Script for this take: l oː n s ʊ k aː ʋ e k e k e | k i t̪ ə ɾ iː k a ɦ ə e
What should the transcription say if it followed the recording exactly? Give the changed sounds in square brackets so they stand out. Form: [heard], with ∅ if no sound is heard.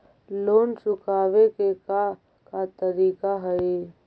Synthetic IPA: l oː n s ʊ k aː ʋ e k e k [a] | k [a] t̪ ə ɾ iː k a ɦ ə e